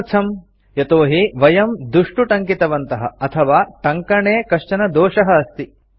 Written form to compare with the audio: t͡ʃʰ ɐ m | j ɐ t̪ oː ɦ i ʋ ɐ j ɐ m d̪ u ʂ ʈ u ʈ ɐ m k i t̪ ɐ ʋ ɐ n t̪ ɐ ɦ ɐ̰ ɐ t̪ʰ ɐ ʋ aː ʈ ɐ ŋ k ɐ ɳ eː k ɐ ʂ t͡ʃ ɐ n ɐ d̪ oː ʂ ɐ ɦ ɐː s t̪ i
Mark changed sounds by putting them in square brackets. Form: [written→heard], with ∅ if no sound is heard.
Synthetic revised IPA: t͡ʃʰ ɐ m | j ɐ t̪ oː ɦ i ʋ ɐ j ɐ m d̪ u ʂ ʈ u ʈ ɐ [m→ŋ] k i t̪ ɐ ʋ ɐ n t̪ ɐ ɦ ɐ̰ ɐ t̪ʰ ɐ ʋ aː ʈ ɐ ŋ k ɐ ɳ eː k ɐ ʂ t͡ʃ ɐ n ɐ d̪ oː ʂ ɐ ɦ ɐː s t̪ i